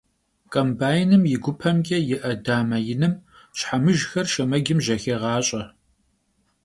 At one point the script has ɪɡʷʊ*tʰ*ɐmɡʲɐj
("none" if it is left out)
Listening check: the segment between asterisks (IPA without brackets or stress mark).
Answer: pʰ